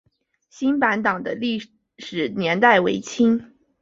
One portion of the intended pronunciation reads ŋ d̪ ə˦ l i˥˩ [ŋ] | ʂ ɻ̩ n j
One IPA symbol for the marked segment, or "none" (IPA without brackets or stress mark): none